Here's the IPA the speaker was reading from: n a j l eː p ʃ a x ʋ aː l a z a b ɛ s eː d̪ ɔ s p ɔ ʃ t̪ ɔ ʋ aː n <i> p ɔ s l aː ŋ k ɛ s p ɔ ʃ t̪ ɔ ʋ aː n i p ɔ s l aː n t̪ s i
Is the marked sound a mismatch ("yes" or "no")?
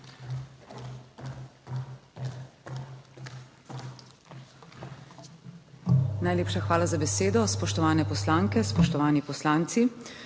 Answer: yes